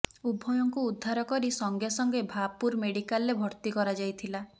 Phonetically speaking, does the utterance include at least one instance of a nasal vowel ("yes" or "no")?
no